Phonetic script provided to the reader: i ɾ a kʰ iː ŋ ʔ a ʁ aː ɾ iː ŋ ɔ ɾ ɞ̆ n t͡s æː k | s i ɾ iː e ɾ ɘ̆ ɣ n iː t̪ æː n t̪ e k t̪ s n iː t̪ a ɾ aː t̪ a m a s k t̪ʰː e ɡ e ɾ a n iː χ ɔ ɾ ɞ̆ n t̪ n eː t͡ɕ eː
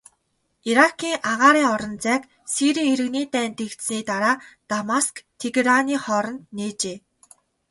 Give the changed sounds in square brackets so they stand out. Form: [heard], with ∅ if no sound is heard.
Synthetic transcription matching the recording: i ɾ a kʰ iː ŋ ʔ a ʁ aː ɾ iː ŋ ɔ ɾ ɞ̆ n t͡s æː k | s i ɾ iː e ɾ ɘ̆ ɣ n iː t̪ æː n t̪ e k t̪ s n iː t̪ a ɾ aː t̪ a m a s k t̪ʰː e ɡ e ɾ a n iː χ ɔ ɾ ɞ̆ n t̪ n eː t͡ɕ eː